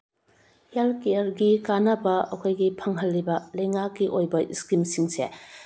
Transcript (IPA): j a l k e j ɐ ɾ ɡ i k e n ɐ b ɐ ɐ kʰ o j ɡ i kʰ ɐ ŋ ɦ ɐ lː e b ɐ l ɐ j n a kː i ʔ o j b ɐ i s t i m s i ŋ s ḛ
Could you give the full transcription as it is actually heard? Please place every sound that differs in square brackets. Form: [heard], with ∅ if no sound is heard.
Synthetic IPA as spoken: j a l k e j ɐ ɾ ɡ i k [a] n ɐ b ɐ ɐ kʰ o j ɡ i [pʰ] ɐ ŋ ɦ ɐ lː [i] b ɐ l ɐ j [ŋ] a kː i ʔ o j b ɐ i s [k] i m s i ŋ s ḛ